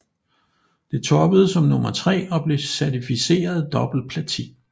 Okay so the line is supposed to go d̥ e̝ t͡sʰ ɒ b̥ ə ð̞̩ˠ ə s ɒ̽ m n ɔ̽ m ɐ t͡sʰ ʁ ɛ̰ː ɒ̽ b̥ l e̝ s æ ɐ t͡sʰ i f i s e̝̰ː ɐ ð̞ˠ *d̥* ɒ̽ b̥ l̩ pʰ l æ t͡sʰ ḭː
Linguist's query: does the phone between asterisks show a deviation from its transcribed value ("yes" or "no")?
no